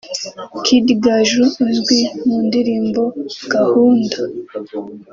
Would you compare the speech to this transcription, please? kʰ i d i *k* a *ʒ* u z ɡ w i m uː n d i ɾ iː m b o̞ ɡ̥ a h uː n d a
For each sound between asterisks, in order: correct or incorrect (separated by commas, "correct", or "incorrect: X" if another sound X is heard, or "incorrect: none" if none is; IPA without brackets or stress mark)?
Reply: incorrect: ɡ, correct